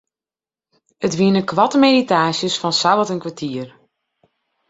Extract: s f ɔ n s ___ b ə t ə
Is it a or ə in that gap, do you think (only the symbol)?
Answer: a